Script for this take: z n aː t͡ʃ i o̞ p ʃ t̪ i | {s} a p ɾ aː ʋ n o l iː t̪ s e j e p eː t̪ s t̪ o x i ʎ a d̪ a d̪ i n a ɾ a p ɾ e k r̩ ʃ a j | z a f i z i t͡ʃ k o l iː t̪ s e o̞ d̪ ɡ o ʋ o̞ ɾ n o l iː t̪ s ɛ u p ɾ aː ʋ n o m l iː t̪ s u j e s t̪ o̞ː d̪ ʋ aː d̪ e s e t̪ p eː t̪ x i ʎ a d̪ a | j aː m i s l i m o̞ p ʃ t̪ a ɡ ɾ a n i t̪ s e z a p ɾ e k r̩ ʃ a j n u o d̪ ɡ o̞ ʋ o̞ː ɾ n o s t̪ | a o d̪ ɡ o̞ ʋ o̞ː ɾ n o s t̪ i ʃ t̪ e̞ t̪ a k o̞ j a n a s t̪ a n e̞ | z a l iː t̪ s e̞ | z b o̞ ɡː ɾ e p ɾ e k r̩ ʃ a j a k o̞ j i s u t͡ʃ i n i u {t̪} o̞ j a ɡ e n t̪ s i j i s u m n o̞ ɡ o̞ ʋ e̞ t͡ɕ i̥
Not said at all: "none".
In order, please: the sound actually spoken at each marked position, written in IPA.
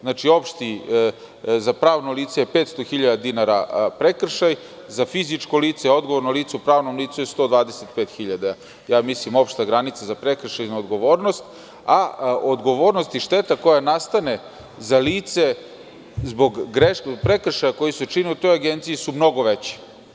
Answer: z, t̪

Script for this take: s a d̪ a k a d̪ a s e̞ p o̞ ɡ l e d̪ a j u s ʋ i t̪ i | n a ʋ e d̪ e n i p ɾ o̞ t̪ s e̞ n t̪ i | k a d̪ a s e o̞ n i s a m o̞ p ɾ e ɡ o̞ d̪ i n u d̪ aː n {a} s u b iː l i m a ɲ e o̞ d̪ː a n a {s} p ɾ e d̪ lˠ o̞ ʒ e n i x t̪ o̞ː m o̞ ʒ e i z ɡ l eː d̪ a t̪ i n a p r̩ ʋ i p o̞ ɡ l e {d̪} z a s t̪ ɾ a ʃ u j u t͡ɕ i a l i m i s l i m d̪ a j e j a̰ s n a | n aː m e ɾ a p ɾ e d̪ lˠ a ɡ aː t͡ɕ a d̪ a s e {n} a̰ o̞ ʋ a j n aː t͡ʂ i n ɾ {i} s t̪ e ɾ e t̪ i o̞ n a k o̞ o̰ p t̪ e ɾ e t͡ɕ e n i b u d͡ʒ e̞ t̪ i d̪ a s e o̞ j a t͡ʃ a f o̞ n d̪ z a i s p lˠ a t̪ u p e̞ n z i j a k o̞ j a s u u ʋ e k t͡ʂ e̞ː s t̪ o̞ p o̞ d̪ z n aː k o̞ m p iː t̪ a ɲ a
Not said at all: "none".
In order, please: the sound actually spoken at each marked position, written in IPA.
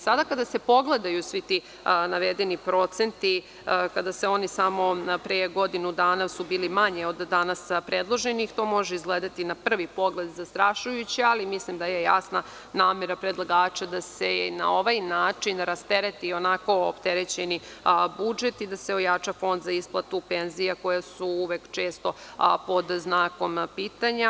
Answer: a, s, d̪, n, a

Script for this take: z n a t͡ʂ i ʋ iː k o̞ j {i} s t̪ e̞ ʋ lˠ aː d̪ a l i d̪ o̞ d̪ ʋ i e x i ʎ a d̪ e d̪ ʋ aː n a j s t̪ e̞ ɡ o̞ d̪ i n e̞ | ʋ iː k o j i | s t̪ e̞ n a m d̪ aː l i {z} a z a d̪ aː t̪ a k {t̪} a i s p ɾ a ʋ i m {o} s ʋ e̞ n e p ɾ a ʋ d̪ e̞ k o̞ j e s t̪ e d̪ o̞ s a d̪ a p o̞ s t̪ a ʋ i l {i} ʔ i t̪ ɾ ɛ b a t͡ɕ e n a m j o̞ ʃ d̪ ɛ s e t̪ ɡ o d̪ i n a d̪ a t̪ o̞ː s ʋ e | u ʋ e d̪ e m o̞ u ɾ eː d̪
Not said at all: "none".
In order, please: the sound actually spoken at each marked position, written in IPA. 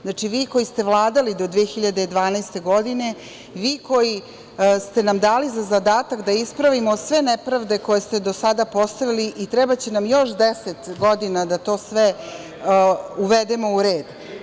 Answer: i, z, d̪, o, i

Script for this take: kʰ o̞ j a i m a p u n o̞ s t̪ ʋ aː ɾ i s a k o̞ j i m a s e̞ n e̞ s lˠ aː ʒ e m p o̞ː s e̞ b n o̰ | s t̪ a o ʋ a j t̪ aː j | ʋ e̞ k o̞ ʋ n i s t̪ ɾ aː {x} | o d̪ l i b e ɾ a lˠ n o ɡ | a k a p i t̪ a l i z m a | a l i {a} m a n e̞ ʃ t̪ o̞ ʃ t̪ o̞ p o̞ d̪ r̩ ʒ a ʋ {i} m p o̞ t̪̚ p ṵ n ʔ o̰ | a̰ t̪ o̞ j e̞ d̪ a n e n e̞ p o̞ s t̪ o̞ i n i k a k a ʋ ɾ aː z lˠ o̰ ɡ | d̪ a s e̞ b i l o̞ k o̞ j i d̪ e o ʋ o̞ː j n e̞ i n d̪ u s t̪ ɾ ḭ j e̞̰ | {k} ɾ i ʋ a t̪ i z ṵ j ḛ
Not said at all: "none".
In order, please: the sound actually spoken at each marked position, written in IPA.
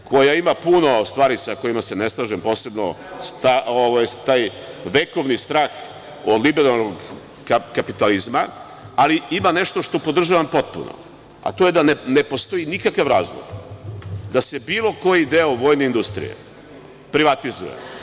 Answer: x, i, a, p

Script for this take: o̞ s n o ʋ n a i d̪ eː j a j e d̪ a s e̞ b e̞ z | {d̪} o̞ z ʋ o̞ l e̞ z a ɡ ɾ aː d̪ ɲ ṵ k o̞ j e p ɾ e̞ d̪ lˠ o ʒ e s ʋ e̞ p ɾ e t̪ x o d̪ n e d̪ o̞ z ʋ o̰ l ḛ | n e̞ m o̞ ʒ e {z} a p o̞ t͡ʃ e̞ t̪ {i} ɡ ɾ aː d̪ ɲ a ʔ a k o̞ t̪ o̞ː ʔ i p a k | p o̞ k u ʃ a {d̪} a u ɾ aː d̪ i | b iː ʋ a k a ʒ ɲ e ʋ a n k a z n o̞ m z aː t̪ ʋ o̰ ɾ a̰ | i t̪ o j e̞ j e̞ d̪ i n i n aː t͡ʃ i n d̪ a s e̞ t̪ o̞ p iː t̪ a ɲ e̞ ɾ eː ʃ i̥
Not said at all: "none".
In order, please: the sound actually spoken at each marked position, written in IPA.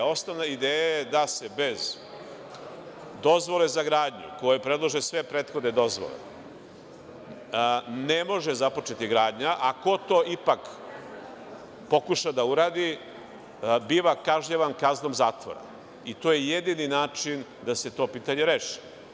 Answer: d̪, z, i, d̪

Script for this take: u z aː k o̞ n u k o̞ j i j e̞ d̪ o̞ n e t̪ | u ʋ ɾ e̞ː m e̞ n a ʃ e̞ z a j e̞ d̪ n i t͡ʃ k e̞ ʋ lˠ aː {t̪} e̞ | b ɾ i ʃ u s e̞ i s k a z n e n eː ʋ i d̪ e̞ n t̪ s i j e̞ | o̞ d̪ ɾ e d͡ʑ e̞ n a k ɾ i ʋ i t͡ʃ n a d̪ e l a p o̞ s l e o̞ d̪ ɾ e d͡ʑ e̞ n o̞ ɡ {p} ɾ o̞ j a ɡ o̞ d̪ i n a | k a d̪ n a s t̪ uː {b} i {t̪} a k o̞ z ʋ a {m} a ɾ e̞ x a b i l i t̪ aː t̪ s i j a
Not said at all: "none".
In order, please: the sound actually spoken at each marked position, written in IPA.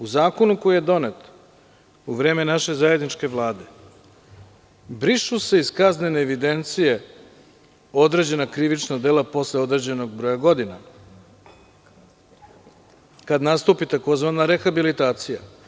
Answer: d̪, b, p, t̪, n

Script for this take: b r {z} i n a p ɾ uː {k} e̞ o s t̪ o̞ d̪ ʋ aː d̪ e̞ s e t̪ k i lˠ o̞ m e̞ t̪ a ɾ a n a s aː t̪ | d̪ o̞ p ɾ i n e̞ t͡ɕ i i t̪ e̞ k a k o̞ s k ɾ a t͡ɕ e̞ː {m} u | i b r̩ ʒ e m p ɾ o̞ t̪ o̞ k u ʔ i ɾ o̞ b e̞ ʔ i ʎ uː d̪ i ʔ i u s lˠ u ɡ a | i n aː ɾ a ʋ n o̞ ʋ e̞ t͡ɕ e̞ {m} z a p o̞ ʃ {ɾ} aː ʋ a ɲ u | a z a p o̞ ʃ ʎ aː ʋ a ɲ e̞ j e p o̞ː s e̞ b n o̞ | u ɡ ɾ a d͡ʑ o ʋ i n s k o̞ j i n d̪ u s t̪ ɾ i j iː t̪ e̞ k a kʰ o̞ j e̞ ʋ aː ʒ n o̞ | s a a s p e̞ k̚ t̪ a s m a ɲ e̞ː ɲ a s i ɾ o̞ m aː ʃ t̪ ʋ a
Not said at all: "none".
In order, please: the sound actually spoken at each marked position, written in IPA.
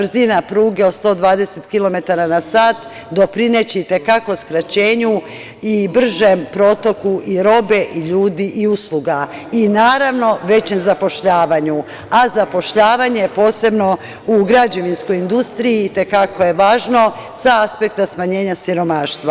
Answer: z, ɡ, ɲ, m, ʎ

